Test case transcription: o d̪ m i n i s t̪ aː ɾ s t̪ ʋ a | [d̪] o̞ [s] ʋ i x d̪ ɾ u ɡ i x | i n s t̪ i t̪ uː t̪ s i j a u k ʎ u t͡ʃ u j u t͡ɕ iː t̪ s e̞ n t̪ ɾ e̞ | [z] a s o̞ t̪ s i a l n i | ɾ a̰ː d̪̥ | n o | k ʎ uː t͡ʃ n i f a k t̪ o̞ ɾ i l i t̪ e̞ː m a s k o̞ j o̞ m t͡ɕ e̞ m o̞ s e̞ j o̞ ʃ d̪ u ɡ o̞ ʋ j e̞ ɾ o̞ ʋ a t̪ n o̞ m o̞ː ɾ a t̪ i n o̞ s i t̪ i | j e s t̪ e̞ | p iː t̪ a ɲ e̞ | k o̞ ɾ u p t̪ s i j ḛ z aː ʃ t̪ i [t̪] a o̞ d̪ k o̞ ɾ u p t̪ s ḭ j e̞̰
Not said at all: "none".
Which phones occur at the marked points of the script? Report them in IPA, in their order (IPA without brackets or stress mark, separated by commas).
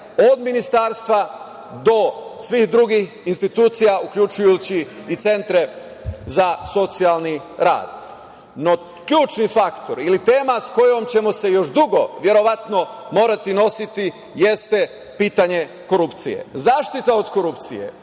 d̪, s, z, t̪